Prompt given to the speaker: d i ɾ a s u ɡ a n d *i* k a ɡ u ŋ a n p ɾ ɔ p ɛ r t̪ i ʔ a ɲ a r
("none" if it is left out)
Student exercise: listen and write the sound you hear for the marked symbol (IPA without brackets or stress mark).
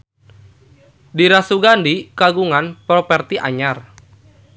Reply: i